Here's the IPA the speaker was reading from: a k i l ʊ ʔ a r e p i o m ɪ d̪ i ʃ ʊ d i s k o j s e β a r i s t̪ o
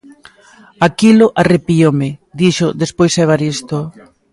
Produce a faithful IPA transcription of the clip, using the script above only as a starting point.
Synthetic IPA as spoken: a k i l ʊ ʔ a r e p i o m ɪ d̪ i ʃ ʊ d e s p o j s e β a ɾ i s t̪ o